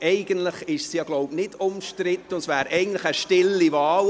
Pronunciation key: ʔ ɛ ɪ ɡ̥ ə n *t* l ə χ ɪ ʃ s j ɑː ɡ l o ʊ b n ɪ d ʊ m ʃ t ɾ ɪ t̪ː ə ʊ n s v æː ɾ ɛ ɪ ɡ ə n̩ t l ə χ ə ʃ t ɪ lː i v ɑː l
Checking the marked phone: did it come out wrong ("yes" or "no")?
no